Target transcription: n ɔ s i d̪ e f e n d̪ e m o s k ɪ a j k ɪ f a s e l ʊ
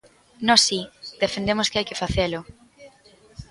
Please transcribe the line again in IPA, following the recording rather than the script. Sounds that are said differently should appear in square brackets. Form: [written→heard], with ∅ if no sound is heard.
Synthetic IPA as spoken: n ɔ s i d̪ e f e n d̪ e m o s k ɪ a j k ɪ f a [s→θ] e l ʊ